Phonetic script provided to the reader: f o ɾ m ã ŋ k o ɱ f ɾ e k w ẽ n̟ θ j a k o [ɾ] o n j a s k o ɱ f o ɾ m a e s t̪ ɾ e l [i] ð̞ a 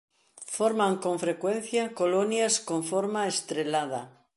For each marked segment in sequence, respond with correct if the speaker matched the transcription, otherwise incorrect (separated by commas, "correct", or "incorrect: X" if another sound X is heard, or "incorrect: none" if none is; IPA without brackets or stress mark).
incorrect: l, incorrect: a